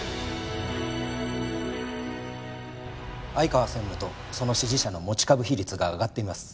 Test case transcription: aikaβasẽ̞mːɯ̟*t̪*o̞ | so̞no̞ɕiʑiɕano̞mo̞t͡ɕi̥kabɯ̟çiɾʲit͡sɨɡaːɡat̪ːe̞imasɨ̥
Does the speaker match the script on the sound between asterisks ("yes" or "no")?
yes